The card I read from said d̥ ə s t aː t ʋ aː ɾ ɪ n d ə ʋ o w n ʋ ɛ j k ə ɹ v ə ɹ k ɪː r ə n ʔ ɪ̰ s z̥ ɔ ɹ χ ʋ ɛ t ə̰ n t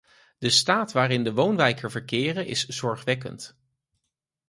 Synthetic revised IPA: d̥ ə s t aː t ʋ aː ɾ ɪ n d ə ʋ o w n ʋ ɛ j k ə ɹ v ə ɹ k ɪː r ə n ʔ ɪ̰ s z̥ ɔ ɹ χ ʋ ɛ k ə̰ n t